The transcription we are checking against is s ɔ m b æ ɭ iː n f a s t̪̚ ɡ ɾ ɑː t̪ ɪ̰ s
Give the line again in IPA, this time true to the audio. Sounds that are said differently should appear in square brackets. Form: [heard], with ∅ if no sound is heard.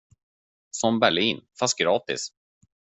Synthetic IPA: s ɔ m b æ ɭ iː n f a s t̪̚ ɡ ɾ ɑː t̪ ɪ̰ s